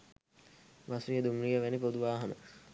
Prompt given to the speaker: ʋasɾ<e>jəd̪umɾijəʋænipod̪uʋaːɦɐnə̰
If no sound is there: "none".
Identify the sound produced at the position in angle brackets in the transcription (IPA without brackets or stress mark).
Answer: i